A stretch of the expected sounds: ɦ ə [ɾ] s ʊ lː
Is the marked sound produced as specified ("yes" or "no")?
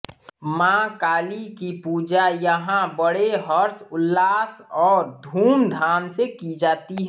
yes